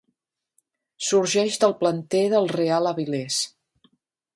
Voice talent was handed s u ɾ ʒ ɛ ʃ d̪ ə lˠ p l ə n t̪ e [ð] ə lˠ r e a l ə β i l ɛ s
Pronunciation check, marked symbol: correct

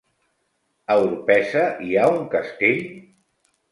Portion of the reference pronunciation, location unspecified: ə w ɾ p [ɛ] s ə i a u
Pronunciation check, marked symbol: correct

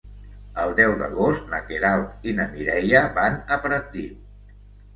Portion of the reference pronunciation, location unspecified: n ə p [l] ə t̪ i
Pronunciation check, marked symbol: incorrect: ɾ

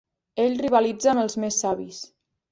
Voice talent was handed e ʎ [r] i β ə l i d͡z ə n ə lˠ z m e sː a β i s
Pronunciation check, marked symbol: correct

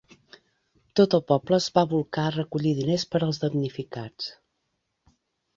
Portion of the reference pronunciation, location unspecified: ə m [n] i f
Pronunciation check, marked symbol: correct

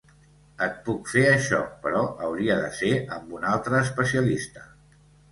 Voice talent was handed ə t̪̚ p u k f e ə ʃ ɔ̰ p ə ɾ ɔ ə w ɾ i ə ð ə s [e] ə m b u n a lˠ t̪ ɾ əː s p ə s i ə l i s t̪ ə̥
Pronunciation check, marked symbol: correct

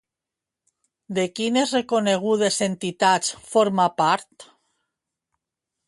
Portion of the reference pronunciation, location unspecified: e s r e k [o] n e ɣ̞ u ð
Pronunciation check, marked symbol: correct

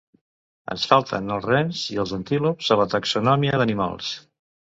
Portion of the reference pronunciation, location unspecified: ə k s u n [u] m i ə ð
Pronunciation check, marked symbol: incorrect: ɔ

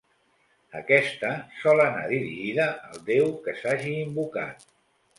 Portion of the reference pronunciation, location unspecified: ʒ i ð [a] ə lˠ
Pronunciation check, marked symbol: incorrect: ə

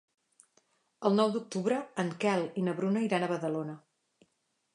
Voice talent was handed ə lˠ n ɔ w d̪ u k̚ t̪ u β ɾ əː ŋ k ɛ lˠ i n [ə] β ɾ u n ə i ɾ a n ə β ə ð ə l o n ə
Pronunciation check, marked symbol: correct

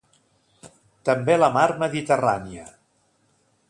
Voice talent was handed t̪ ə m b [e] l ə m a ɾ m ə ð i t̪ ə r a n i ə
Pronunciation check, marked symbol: correct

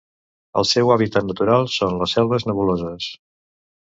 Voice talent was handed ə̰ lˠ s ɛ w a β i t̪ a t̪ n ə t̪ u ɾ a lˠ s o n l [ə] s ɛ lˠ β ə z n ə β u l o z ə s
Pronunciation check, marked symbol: correct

